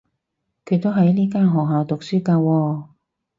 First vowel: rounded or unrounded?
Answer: rounded